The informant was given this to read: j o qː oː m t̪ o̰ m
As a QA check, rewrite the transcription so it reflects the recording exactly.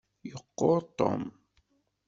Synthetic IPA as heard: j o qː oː t̪ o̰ m